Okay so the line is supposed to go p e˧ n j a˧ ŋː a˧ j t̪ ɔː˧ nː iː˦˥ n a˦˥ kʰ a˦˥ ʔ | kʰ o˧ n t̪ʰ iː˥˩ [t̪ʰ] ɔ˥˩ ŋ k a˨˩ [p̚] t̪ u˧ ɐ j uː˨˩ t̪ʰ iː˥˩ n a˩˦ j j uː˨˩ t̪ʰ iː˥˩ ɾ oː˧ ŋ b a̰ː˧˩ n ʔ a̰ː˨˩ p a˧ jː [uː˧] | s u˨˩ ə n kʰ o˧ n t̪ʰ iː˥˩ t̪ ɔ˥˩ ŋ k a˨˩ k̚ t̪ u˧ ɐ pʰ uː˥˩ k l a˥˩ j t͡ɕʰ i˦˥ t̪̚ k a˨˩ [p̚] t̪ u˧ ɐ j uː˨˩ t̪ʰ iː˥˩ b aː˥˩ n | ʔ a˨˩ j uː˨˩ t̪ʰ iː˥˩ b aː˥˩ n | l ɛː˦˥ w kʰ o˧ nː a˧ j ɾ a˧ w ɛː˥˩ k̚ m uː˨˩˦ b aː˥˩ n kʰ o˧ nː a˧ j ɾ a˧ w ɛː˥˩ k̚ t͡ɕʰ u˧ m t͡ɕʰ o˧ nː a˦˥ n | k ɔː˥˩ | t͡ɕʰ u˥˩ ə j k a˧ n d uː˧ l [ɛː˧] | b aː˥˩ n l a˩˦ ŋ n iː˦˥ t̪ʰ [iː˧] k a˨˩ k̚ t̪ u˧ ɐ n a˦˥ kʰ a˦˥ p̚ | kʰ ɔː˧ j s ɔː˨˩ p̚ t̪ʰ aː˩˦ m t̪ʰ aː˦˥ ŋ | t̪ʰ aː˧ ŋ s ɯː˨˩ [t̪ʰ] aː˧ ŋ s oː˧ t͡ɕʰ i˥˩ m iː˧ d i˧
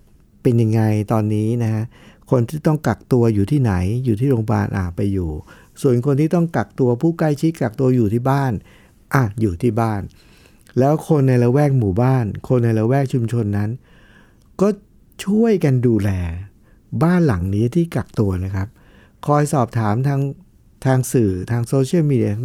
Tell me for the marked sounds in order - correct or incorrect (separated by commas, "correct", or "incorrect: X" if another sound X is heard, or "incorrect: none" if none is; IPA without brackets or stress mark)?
incorrect: t̪, incorrect: k̚, incorrect: uː˨˩, incorrect: k̚, correct, incorrect: iː˥˩, correct